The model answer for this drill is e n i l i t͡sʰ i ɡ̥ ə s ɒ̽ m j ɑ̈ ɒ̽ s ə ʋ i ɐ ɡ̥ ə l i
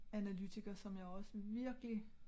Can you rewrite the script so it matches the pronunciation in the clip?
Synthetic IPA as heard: æ n æ l y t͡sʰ i ɡ̥ ɐ s ɒ̽ m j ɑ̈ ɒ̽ s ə ʋ i ɐ ɡ̥ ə l i